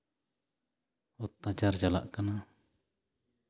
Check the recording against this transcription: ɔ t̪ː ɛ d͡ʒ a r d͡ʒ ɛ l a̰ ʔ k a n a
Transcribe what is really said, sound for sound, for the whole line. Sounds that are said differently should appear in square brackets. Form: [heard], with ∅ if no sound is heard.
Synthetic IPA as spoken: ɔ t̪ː [a] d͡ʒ a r d͡ʒ [a] l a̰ ʔ k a n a

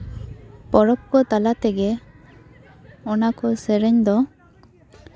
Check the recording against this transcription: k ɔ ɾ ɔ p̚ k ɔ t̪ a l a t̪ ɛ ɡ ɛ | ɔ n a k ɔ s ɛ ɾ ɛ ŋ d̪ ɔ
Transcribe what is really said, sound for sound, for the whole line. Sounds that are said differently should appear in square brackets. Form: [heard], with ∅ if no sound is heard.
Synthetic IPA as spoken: [p] ɔ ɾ ɔ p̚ k ɔ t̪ a l a t̪ ɛ ɡ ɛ | ɔ n a k ɔ s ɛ ɾ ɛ [ɲ] d̪ ɔ

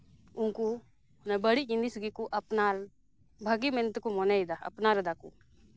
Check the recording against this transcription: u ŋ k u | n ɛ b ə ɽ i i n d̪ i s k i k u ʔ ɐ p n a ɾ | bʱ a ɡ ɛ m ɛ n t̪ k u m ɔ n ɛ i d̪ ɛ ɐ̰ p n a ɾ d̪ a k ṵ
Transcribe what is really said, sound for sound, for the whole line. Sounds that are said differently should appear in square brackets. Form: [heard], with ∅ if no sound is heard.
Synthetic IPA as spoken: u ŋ k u | n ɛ b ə ɽ i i n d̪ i s [ɡ] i k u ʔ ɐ p n a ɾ | bʱ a ɡ [i] m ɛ n t̪ k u m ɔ n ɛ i d̪ [a] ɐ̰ p n a ɾ d̪ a k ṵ

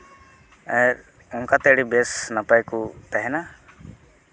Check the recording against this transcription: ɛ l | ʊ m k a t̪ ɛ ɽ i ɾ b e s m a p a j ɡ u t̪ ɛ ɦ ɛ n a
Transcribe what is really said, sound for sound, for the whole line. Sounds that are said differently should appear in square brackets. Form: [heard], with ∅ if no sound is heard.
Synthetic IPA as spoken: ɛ [ɾ] | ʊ [ŋ] k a t̪ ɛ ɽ i [∅] b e s [n] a p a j [k] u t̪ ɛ ɦ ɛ n a

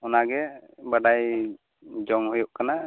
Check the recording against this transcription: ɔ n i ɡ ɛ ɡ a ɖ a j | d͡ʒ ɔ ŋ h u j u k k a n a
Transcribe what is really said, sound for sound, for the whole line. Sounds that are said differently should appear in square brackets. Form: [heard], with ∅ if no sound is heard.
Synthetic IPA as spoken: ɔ n [a] ɡ ɛ [b] a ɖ a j | d͡ʒ ɔ ŋ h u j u [ʔ] k a n a

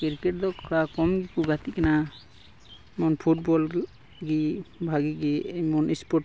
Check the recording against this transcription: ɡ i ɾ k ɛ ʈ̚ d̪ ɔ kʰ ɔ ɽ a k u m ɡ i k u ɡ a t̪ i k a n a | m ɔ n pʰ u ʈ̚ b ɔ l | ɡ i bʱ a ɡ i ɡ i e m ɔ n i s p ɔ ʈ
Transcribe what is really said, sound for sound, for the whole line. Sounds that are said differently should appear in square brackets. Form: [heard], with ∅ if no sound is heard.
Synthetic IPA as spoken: [k] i ɾ k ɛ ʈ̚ d̪ ɔ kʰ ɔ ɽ a k [ɔ] m ɡ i k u ɡ a t̪ i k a n a | m ɔ n pʰ u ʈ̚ b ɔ l | ɡ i bʱ a ɡ i ɡ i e m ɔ n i s p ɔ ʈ

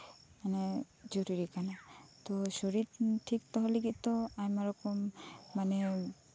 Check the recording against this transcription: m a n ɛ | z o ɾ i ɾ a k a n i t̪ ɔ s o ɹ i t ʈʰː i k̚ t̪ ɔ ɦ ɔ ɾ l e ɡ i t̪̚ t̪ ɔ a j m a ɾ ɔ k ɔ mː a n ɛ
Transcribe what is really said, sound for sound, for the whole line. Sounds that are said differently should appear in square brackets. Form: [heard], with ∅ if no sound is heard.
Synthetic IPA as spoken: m a n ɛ | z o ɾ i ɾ [i] k a n [a] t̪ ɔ s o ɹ i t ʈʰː i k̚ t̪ ɔ ɦ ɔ [∅] l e ɡ i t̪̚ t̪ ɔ a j m a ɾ ɔ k ɔ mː a n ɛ

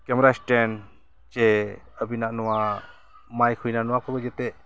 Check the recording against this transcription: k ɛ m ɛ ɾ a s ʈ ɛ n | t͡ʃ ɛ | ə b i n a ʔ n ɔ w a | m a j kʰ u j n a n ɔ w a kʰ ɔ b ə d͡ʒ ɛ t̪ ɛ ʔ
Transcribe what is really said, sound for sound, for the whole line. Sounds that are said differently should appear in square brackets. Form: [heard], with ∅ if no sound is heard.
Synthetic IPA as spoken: k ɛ m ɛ ɾ a s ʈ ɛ n | t͡ʃ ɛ | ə b i n a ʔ n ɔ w a | m a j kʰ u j n a n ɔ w a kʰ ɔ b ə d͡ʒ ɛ t̪ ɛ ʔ

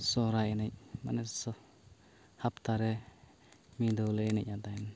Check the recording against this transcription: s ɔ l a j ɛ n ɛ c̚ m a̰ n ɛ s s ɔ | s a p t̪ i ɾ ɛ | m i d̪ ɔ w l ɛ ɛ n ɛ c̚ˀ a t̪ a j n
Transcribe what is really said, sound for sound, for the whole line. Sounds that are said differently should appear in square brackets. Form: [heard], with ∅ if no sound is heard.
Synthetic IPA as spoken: s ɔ [ɾ] a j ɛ n ɛ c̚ m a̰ n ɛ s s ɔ | [h] a p t̪ [a] ɾ ɛ | m i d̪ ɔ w l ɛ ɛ n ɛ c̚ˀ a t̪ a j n

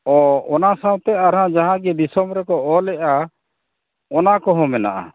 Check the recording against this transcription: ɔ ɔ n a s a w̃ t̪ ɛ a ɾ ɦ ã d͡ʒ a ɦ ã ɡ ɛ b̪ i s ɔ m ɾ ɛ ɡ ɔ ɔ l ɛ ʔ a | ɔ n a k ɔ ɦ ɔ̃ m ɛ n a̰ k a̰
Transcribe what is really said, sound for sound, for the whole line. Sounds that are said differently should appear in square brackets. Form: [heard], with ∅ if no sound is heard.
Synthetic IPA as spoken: ɔ ɔ n a s a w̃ t̪ ɛ a ɾ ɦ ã d͡ʒ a ɦ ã ɡ ɛ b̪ i s ɔ m ɾ ɛ [k] ɔ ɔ l ɛ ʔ a | ɔ n a k ɔ ɦ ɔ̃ m ɛ n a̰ [ʔ] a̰

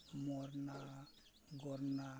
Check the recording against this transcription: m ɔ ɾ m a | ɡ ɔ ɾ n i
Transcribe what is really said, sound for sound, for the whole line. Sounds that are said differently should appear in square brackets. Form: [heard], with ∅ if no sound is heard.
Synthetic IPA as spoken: m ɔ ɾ [n] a | ɡ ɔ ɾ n [a]

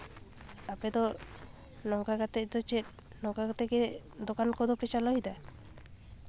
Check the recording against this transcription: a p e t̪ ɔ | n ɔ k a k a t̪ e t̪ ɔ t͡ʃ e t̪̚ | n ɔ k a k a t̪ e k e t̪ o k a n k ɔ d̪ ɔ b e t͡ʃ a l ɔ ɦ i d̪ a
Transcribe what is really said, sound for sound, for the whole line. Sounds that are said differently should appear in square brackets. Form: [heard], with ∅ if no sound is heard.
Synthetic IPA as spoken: a p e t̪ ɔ | n ɔ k a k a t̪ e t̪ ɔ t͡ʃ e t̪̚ | n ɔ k a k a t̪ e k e [d̪] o k a n k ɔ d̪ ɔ [p] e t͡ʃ a l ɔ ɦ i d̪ a

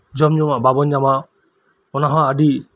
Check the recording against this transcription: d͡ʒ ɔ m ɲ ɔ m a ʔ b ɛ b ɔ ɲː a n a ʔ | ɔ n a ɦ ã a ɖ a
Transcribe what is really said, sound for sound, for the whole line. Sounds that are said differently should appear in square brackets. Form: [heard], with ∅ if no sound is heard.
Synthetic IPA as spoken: d͡ʒ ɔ m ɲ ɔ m a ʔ b [a] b ɔ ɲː a [m] a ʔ | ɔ n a ɦ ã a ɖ [i]

